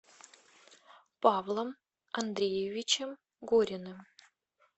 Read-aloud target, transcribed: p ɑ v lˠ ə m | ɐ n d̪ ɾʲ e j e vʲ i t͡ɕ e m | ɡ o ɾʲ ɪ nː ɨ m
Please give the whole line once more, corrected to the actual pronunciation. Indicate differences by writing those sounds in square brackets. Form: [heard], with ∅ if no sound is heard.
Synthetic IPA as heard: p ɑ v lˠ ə m | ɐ n d̪ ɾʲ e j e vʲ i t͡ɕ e m | ɡ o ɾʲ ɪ [n] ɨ m